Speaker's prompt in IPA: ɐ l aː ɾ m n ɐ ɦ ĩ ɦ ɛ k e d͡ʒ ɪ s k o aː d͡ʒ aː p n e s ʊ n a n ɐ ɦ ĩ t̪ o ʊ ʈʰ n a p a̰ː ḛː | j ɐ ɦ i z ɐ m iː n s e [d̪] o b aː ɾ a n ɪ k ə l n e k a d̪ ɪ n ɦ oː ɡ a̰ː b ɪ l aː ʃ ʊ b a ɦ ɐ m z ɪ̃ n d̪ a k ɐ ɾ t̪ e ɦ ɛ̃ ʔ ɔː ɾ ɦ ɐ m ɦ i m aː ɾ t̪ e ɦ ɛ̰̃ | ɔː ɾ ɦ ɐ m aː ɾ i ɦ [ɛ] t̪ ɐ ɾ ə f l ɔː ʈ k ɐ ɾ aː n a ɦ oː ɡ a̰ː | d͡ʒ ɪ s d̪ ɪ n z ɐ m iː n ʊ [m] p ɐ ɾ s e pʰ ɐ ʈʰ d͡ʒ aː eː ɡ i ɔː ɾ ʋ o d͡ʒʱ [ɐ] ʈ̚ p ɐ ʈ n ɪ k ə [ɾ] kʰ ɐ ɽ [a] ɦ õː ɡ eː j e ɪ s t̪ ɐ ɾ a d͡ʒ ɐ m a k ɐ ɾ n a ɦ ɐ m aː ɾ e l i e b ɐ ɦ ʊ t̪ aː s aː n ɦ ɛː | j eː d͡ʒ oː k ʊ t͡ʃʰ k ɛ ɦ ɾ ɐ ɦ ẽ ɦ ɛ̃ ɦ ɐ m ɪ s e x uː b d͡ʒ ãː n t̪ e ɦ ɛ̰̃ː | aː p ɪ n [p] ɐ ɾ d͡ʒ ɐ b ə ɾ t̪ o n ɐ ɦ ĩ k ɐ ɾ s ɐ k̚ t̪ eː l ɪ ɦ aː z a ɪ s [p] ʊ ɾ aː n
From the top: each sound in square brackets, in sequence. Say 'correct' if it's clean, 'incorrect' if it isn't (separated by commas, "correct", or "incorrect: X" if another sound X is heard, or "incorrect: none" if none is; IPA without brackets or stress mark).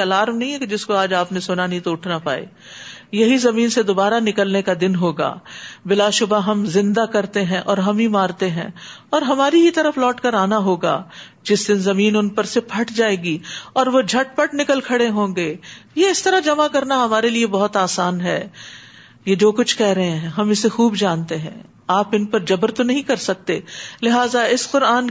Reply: correct, incorrect: i, incorrect: n, correct, incorrect: l, incorrect: e, correct, incorrect: q